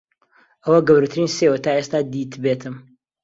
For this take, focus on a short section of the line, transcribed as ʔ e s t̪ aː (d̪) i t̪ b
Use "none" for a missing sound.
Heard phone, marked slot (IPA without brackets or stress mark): d̪